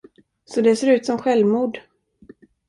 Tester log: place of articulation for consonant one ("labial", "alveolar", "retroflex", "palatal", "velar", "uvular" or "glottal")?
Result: alveolar